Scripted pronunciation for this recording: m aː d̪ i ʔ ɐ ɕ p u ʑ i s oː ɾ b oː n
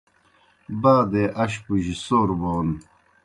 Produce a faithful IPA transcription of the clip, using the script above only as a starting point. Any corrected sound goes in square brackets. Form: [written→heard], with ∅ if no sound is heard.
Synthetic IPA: [m→b] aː d̪ [i→e] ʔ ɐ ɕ p u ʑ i s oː ɾ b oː n